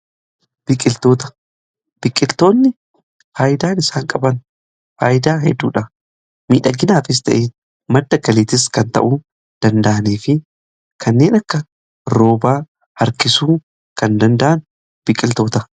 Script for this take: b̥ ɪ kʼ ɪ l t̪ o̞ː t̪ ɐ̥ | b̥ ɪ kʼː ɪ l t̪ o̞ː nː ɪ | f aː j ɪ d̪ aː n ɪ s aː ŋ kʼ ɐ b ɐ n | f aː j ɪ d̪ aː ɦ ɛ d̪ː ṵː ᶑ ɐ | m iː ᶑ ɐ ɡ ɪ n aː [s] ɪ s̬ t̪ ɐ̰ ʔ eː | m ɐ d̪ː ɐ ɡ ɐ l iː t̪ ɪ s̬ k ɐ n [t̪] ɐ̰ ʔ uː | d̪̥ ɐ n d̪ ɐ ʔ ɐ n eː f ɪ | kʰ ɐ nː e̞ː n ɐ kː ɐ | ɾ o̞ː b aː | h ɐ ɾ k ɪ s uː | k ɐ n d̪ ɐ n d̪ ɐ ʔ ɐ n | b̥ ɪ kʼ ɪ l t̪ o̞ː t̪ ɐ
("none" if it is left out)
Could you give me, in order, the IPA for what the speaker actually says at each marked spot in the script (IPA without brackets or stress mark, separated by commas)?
f, t̪